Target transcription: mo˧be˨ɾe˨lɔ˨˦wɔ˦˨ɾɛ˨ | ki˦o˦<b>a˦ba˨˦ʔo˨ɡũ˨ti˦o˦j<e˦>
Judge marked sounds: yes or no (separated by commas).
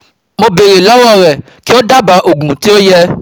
no, no